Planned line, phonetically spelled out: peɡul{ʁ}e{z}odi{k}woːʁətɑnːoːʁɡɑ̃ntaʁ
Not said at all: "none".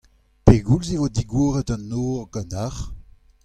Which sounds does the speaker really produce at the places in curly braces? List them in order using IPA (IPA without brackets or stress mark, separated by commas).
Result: z, v, ɡ